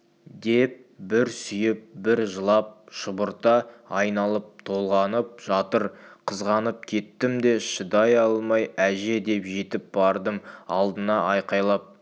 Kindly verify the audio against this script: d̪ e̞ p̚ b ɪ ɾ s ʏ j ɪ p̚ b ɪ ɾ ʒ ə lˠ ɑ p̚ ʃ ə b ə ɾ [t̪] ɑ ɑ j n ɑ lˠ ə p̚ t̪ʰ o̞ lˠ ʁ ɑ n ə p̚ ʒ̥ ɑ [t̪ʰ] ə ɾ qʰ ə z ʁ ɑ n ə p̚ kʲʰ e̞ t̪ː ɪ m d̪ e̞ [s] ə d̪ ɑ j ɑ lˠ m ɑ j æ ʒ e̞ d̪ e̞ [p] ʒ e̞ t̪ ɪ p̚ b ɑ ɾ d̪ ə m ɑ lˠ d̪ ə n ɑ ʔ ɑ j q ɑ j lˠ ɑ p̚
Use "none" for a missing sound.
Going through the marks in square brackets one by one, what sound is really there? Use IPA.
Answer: t̪, t̪, ʃ, p

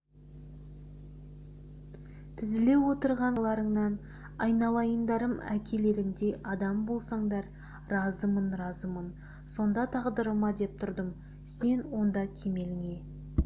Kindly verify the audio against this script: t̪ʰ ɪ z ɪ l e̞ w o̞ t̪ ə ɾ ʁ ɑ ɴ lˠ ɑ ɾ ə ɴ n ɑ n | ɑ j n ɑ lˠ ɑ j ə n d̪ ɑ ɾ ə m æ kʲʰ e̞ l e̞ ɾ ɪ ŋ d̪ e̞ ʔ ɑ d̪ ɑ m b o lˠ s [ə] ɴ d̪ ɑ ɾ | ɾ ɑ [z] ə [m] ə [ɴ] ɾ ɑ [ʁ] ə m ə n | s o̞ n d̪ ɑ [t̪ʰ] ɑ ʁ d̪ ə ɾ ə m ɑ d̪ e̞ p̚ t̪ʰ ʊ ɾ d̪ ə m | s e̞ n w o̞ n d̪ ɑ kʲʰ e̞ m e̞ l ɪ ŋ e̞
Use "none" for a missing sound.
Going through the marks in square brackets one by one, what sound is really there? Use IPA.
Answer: ɑ, z, m, n, z, t̪ʰ

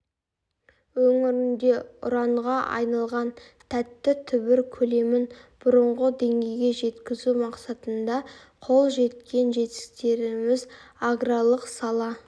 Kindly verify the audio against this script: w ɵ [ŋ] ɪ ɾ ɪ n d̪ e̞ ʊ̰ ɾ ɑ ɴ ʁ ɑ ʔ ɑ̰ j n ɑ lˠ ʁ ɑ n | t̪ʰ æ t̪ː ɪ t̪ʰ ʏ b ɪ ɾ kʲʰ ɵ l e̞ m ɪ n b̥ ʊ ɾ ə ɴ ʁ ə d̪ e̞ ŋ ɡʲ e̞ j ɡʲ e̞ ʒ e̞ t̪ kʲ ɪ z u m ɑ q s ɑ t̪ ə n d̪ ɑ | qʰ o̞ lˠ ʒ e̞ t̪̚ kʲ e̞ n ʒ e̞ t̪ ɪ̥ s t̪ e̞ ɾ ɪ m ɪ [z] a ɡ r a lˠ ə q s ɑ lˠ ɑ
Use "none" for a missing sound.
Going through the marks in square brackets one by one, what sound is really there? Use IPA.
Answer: ŋ, z

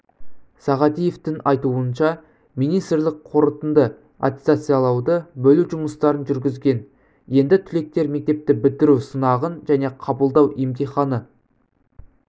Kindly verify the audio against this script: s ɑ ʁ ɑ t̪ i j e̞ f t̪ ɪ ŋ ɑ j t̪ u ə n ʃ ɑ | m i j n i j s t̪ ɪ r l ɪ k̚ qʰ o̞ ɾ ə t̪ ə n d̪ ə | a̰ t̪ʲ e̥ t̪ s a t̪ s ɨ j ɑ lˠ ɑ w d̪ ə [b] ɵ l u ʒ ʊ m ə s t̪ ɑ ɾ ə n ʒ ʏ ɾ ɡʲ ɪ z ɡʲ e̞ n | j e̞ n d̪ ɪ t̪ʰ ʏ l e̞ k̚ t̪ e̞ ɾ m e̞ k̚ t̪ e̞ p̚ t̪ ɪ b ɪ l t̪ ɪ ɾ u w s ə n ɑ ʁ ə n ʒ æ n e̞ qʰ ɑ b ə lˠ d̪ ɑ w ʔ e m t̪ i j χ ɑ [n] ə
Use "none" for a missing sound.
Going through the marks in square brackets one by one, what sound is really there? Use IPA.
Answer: b, n

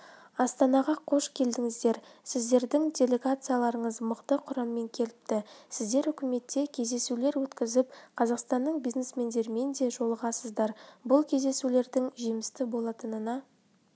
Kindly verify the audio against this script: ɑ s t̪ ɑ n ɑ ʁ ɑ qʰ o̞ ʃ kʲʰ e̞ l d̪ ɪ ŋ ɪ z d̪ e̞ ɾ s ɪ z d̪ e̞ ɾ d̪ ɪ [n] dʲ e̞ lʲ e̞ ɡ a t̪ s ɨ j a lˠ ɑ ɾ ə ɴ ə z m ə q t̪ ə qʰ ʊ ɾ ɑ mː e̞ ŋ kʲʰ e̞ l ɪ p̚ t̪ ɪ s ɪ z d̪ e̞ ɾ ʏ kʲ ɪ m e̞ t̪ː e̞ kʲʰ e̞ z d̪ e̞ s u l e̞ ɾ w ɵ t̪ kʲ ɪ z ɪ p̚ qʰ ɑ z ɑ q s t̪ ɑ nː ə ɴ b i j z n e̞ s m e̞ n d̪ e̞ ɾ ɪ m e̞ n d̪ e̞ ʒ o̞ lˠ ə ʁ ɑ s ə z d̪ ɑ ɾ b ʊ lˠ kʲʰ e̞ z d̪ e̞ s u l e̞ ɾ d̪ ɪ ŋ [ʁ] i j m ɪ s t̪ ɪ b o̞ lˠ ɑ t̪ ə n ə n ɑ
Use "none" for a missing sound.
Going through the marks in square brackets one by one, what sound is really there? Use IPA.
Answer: ŋ, ʒ

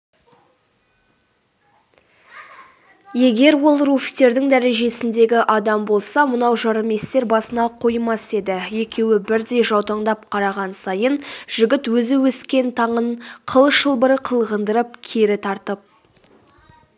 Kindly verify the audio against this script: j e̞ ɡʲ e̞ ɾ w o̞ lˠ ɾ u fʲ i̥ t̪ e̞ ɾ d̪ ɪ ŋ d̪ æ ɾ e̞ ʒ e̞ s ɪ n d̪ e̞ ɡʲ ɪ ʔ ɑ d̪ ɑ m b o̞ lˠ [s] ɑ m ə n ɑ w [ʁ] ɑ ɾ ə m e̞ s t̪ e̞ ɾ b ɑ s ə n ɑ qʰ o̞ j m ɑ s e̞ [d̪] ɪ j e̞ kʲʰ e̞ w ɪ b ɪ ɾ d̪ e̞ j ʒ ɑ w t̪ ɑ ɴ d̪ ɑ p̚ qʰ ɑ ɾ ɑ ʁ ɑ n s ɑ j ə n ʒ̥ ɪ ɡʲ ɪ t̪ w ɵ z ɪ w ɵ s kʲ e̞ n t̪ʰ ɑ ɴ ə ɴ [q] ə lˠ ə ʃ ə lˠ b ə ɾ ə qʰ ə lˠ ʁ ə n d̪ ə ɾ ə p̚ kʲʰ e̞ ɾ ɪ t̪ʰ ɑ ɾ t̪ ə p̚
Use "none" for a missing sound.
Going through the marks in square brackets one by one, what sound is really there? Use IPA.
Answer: s, ʒ, d̪, qʰ

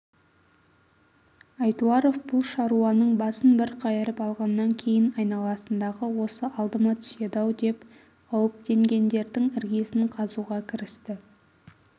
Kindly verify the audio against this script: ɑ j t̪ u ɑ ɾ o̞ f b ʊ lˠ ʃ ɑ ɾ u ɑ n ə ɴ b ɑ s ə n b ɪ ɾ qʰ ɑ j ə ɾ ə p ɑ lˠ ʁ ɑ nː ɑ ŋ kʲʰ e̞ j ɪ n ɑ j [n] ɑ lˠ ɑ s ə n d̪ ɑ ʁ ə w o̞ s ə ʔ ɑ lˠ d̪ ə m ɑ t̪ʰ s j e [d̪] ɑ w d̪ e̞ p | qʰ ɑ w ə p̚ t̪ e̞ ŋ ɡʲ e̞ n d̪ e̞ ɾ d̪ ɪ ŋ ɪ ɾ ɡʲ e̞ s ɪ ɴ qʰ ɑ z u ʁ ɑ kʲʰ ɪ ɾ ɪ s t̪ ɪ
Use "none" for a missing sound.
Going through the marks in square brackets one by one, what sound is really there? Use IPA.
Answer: n, d̪

